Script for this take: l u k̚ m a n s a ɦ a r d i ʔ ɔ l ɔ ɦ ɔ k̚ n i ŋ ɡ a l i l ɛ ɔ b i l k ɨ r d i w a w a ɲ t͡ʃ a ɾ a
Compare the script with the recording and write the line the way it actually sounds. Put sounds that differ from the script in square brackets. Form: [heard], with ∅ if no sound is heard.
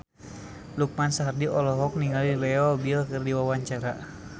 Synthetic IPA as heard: l u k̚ m a n s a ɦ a r d i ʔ ɔ l ɔ ɦ ɔ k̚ n i ŋ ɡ a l i l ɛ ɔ b i l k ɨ r d i w a w a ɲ t͡ʃ a ɾ a